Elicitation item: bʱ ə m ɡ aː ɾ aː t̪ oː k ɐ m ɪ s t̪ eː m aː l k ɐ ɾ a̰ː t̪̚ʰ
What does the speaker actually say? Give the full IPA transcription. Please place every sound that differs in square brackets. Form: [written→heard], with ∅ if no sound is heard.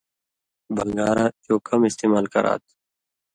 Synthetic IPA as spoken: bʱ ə [m→ŋ] ɡ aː ɾ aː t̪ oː k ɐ m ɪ s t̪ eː m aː l k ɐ ɾ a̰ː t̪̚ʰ